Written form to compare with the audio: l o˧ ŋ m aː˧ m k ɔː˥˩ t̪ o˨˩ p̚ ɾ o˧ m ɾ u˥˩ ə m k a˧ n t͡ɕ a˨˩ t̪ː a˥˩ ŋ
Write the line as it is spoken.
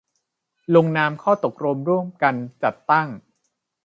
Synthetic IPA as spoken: l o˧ ŋ n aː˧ m kʰ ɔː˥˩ t̪ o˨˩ k̚ ɾ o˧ m ɾ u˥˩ ə m k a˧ n t͡ɕ a˨˩ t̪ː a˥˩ ŋ